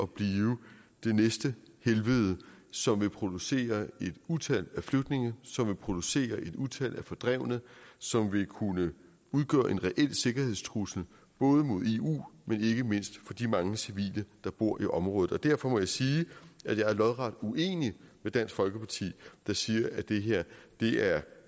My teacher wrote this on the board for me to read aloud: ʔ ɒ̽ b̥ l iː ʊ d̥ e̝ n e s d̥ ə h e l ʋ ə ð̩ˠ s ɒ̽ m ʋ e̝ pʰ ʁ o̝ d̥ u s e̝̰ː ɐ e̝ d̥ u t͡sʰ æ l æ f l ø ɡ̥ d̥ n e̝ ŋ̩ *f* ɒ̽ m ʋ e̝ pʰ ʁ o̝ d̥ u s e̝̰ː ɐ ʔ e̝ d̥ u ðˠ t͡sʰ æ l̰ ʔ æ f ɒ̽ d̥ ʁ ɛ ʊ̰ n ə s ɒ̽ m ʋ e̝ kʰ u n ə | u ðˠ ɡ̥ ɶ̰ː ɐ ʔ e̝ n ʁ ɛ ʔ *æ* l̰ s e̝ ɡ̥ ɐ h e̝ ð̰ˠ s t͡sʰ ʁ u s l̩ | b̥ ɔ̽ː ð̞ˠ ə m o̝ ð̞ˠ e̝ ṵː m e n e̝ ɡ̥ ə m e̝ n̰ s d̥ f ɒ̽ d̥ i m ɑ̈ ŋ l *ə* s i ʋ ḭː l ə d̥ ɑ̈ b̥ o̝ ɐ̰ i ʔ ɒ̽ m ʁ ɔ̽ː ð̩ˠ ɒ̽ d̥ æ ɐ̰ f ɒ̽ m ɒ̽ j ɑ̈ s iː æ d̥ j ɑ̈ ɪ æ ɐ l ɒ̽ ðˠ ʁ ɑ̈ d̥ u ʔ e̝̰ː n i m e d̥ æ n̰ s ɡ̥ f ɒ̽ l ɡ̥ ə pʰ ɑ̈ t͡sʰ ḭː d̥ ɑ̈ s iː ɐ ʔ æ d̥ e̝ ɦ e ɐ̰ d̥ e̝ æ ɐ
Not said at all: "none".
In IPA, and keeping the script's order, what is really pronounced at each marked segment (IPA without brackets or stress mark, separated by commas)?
s, e, ə